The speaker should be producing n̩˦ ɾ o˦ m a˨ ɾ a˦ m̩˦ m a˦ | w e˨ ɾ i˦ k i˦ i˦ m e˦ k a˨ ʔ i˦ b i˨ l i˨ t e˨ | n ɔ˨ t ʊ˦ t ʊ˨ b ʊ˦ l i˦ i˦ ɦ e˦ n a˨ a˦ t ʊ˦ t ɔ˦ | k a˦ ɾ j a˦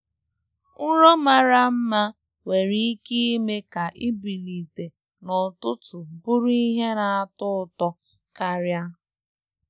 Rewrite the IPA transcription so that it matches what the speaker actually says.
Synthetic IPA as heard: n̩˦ ɾ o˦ m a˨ ɾ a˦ m̩˦ m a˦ | w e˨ ɾ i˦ k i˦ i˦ m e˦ k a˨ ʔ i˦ b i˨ l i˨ t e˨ | n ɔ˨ t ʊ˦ t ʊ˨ b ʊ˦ ɾ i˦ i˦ ɦ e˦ n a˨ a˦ t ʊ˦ t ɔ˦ | k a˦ ɾ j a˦